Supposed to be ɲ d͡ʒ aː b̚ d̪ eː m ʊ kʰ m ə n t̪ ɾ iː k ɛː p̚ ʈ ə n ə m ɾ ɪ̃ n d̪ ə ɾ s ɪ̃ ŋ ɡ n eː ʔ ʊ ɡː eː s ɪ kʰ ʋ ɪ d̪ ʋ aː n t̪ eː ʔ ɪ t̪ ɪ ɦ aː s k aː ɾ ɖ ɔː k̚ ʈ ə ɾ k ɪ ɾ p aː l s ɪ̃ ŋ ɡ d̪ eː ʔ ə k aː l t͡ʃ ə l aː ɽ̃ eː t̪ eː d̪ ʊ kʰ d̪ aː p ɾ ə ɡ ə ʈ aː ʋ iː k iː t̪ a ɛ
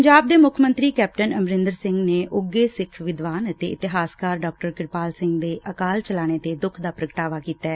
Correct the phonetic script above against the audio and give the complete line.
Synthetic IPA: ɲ d͡ʒ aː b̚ d̪ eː m ʊ kʰ m ə n t̪ ɾ iː k ɛː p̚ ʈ ə n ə m ɾ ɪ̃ n d̪ ə ɾ s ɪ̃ ŋ ɡ n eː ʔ ʊ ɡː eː s ɪ kʰ ʋ ɪ d̪ ʋ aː n t̪ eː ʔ ɪ t̪ ɪ ɦ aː s k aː ɾ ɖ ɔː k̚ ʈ ə ɾ k ɪ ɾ p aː l s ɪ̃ ŋ ɡ d̪ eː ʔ ə k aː l t͡ʃ ə l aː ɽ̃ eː t̪ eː d̪ ʊ kʰ d̪ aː p ɾ ə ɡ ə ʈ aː ʋ aː k iː t̪ a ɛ